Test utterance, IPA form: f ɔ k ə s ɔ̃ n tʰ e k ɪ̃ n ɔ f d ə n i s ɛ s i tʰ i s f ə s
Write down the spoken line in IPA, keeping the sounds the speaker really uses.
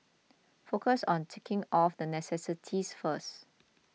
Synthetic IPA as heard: f o k ə s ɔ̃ n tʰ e k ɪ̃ ŋ ɔ f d ə n ɛ s ɛ s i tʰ i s f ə s